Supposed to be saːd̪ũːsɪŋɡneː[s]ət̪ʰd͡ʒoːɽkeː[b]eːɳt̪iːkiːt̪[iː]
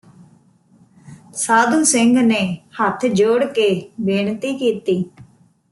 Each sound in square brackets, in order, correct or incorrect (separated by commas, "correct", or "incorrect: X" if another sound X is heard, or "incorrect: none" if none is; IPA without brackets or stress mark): incorrect: h, correct, correct